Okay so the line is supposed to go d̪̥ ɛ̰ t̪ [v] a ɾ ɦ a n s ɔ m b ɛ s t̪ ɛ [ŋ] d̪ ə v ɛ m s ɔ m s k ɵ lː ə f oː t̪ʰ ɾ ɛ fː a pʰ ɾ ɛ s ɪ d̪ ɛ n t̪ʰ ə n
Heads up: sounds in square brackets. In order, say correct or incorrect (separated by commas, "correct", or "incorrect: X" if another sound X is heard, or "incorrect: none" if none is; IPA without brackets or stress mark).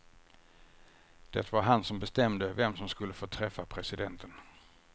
correct, incorrect: m